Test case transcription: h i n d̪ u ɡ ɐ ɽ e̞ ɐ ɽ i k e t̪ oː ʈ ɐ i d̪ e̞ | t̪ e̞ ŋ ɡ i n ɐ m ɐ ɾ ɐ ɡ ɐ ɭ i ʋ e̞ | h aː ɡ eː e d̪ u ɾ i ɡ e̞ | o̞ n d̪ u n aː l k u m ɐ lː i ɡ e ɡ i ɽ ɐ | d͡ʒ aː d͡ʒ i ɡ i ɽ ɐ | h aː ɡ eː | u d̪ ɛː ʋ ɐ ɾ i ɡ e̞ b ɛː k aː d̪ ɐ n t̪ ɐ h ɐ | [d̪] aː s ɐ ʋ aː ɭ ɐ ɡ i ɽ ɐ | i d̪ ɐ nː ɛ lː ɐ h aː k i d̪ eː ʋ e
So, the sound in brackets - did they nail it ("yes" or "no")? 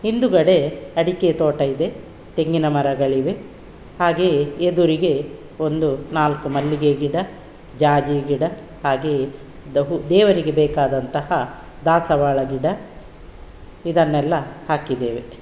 yes